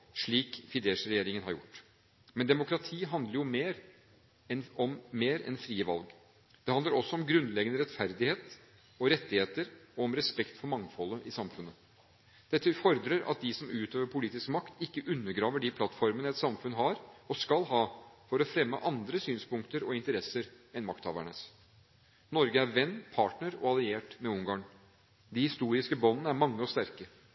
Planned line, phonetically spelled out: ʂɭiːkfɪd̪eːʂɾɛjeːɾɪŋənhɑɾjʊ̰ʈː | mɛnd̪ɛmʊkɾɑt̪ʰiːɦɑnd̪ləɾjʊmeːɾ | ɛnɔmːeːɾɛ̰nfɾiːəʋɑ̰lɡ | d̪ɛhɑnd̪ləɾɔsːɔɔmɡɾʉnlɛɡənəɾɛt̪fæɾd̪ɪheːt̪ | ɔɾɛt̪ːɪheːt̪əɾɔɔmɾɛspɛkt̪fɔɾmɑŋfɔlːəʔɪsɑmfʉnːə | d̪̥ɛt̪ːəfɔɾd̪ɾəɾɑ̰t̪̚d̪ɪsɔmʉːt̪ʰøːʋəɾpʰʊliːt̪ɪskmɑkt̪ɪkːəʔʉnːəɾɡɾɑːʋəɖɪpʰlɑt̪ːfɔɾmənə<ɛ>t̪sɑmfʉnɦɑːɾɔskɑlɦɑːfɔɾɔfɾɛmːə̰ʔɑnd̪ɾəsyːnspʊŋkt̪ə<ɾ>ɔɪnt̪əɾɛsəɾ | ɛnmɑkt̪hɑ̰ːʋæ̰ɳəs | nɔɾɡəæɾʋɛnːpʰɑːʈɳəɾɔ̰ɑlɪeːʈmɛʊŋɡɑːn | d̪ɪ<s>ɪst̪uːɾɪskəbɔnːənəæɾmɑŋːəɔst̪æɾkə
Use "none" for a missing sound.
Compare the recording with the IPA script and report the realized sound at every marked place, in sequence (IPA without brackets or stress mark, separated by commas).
ɛ, ɾ, h